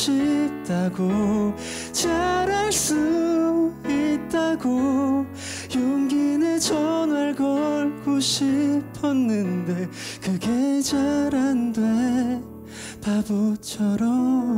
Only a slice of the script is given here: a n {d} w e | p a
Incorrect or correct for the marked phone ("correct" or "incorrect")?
correct